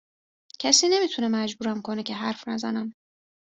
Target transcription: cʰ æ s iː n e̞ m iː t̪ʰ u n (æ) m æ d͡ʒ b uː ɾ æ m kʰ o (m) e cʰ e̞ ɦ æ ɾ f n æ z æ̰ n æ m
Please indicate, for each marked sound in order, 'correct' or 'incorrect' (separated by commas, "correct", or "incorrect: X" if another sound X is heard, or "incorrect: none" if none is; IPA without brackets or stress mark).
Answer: incorrect: e, incorrect: n